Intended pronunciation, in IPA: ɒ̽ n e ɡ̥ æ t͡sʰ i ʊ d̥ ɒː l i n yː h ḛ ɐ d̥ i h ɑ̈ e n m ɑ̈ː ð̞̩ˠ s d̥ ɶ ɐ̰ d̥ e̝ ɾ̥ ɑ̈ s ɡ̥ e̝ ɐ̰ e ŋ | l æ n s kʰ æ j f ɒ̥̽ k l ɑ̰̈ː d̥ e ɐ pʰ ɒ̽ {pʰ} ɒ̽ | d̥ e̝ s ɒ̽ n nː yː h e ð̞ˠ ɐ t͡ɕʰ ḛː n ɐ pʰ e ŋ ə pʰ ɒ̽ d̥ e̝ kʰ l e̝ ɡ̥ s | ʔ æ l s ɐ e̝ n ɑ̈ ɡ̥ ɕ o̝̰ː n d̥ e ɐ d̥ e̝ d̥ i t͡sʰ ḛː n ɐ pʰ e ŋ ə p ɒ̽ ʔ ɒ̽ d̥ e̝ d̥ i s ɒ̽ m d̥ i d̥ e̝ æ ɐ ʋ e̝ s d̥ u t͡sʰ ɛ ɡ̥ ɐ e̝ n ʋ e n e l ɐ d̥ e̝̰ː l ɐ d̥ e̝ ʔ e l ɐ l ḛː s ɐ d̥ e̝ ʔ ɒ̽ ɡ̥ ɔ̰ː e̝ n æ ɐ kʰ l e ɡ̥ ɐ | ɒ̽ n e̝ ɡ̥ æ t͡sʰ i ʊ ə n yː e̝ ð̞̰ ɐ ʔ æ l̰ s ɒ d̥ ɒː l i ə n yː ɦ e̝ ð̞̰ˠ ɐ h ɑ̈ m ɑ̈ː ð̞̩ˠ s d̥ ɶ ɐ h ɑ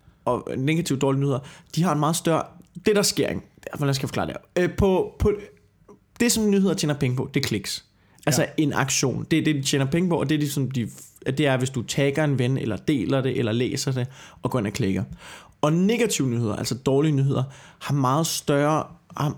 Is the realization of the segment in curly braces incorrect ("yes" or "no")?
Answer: no